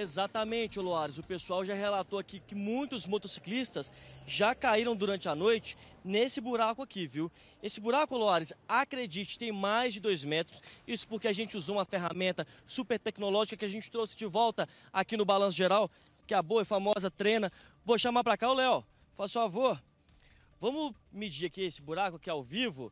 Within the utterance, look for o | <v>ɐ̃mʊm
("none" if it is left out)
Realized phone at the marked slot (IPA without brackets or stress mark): v